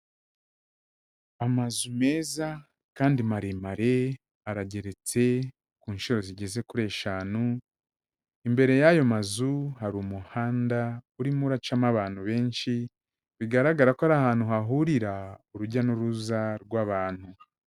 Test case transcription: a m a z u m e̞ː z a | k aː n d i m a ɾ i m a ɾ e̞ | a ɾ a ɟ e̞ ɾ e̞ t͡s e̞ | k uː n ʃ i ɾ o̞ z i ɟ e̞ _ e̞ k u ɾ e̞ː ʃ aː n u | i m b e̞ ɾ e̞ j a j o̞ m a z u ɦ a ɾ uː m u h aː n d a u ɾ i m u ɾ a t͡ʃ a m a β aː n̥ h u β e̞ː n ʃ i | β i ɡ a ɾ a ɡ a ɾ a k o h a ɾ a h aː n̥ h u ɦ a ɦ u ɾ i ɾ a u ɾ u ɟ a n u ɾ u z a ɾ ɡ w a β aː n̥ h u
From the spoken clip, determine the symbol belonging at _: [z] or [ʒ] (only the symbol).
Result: z